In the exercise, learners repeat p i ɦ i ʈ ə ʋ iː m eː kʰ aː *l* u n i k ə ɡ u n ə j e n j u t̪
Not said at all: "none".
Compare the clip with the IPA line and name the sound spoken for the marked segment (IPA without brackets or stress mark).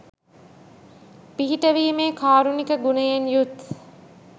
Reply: ɾ